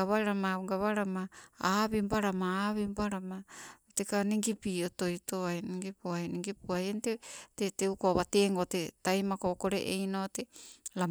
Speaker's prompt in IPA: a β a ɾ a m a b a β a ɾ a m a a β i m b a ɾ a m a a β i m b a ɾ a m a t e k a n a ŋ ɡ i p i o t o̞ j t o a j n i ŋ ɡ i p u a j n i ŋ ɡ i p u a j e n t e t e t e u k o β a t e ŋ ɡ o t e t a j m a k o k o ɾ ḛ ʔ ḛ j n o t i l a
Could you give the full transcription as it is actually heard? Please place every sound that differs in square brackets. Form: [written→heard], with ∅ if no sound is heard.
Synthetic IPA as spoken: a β a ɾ a m a [b→ɡ] a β a ɾ a m a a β i m b a ɾ a m a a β i m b a ɾ a m a t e k a n [a→i] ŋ ɡ i p i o t o̞ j t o a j n i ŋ ɡ i p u a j n i ŋ ɡ i p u a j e n t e t e t e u k o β a t e ŋ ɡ o t e t a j m a k o k o ɾ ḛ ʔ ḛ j n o t [i→e] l a